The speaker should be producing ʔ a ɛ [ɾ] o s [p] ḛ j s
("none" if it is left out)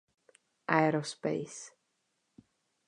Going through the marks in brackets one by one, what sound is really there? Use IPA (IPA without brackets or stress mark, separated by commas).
ɾ, p